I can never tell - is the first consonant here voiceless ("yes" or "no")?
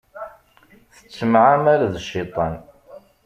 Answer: yes